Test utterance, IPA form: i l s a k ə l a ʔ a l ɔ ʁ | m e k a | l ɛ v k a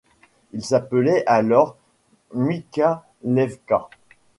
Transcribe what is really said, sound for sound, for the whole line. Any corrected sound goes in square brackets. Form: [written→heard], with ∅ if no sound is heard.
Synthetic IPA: i l s a [k→p] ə l [a→ɛ] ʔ a l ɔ ʁ | m [e→i] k a | l ɛ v k a